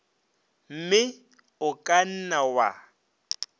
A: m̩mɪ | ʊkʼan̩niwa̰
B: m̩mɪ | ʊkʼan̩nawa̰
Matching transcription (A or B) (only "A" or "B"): B